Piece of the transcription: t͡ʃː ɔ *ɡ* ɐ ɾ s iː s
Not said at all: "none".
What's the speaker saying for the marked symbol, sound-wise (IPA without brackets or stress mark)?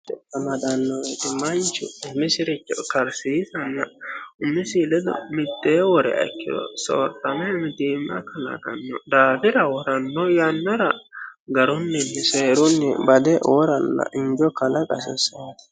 k